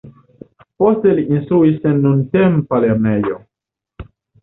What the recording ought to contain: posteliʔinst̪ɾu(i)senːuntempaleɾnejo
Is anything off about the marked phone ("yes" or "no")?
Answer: no